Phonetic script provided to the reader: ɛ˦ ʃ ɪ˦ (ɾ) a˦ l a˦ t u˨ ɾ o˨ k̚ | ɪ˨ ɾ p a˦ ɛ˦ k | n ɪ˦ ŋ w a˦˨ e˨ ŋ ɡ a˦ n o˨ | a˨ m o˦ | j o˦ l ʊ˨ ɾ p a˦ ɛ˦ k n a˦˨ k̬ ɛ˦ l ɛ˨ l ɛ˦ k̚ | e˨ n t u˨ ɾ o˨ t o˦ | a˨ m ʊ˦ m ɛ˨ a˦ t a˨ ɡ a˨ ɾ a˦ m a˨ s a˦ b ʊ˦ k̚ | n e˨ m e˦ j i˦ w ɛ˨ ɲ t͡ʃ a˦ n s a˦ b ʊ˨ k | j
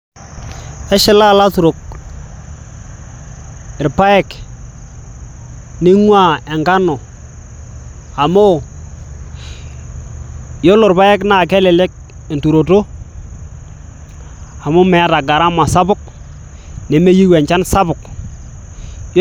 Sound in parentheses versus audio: incorrect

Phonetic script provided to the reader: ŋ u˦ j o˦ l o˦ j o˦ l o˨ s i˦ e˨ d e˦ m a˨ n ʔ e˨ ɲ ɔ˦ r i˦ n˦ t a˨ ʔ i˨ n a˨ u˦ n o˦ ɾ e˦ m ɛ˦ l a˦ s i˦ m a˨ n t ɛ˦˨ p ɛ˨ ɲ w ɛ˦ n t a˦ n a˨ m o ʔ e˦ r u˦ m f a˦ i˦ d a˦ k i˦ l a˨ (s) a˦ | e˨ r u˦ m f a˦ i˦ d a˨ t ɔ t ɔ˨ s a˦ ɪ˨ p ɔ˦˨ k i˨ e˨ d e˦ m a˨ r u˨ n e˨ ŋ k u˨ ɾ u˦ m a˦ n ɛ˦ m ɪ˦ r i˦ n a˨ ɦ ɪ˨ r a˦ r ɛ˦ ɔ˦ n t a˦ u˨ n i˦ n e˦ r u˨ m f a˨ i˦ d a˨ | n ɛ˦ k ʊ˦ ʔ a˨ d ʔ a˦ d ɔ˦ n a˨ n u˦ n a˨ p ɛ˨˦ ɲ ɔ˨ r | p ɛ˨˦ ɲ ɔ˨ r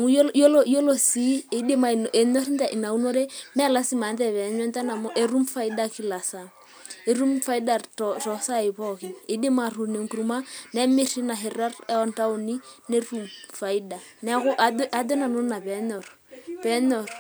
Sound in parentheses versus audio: correct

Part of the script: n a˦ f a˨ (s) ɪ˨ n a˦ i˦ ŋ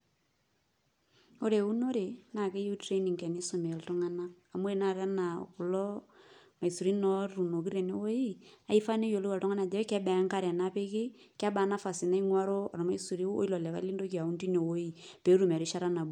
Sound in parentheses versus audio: correct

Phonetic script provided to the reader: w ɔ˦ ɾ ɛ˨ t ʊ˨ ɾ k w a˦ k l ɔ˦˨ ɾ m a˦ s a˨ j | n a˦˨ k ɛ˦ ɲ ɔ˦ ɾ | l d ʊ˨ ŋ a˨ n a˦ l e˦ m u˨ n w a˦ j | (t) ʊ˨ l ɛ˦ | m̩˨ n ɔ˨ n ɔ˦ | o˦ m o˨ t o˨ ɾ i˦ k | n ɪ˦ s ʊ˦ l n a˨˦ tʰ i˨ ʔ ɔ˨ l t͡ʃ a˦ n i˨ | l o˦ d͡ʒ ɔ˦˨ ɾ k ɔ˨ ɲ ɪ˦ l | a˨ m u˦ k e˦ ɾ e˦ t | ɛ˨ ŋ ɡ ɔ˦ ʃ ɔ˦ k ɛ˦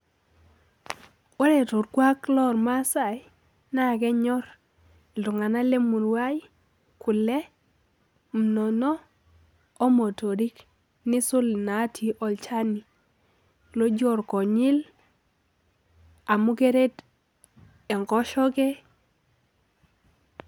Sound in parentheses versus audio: incorrect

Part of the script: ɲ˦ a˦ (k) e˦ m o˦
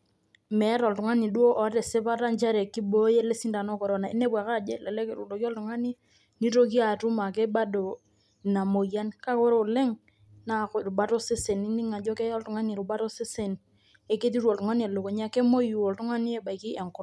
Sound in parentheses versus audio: correct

